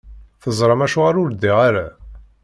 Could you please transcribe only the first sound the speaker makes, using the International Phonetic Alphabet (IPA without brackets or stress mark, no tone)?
θ